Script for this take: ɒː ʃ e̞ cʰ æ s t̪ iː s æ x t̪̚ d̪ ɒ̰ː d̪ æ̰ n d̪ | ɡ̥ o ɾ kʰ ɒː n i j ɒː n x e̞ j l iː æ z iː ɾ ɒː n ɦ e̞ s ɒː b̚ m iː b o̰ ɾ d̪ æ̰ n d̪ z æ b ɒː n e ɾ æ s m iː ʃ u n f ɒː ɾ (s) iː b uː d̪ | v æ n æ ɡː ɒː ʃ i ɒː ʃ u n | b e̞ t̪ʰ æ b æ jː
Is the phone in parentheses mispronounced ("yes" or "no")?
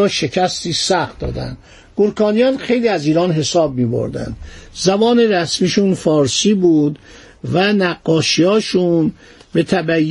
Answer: no